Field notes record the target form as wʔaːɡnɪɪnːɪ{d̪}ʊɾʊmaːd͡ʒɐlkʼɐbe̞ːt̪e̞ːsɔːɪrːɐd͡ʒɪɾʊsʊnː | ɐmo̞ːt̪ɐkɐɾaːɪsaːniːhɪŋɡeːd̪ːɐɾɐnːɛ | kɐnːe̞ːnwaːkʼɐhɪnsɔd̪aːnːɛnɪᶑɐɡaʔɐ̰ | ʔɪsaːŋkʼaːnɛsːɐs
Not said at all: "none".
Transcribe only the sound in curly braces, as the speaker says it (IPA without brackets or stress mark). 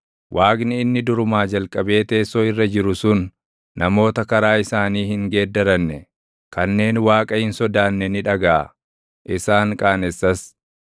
d̪